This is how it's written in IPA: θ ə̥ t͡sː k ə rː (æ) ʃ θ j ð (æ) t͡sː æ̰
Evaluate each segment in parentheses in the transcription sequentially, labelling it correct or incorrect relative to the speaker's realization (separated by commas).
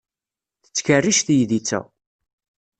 incorrect, incorrect